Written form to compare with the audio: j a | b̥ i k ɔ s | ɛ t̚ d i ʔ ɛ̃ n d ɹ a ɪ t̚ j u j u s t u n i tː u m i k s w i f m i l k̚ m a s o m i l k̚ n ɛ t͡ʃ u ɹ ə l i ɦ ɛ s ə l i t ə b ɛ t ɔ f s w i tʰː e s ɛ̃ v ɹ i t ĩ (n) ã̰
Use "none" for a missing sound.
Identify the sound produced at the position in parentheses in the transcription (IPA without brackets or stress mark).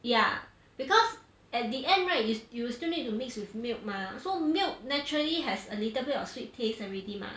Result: m